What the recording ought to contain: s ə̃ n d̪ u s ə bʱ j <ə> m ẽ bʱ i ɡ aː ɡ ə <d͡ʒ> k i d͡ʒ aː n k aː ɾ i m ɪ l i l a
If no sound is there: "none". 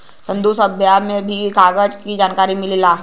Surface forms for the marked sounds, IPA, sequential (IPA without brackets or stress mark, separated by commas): a, d͡ʒ